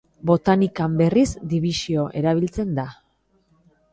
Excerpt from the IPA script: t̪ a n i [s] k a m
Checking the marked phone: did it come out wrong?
yes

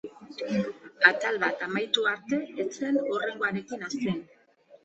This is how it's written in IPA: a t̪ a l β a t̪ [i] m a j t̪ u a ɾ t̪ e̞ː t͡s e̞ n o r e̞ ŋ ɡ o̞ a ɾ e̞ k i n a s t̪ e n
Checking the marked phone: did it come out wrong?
yes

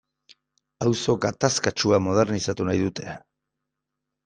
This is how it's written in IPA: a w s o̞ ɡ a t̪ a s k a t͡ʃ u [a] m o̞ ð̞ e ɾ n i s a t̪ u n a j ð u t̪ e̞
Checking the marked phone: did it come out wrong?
no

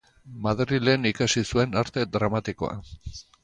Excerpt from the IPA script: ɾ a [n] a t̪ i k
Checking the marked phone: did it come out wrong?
yes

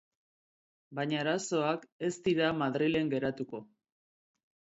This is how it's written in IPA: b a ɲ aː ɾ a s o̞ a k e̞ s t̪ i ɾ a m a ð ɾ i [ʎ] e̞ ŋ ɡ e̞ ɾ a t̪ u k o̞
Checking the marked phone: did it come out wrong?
yes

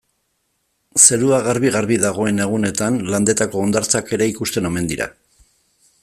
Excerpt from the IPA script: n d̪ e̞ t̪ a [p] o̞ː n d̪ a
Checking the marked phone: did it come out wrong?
yes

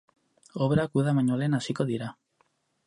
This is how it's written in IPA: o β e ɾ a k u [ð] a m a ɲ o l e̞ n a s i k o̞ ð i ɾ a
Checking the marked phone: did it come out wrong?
no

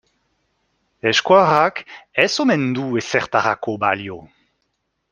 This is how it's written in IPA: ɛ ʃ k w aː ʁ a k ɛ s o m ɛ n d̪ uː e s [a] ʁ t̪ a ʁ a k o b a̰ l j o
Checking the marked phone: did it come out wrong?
yes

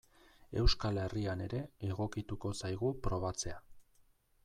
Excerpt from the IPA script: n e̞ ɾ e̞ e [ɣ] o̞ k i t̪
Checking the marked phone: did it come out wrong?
no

